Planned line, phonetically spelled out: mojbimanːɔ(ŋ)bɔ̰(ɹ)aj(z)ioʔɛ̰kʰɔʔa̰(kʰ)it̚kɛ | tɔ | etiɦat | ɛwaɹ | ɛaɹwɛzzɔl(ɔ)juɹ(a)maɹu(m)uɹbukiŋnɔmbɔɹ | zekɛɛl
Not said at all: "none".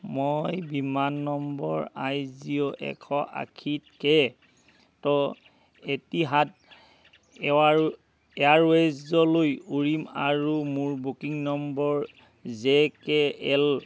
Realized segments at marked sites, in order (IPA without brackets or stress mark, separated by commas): m, ɹ, z, kʰ, o, i, m